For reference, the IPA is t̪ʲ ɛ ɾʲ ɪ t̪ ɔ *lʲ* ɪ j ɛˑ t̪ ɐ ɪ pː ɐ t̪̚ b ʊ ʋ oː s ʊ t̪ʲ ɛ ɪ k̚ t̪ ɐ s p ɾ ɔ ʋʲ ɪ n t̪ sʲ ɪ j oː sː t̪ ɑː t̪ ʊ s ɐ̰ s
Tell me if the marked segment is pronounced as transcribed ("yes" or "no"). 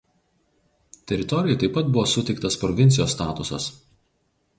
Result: no